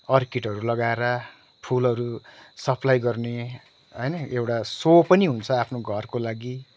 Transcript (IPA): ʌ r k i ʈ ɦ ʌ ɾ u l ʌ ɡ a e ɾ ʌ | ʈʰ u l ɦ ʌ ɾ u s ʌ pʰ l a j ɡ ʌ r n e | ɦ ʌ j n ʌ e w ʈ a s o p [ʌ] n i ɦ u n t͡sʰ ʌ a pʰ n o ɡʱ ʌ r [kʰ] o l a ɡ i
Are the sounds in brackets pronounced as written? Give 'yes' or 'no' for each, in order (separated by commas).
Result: yes, no